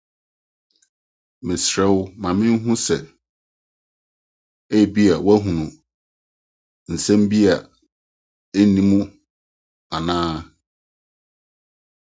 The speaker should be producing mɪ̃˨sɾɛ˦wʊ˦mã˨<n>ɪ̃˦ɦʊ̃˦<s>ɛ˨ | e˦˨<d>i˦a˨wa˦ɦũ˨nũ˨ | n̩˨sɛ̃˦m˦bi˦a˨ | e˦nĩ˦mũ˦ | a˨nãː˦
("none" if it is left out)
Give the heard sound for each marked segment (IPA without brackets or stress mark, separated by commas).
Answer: m, s, b